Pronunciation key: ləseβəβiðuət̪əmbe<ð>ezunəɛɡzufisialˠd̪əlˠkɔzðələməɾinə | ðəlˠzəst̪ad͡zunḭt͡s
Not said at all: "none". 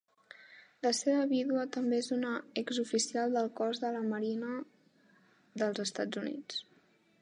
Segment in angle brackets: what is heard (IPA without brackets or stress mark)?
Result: none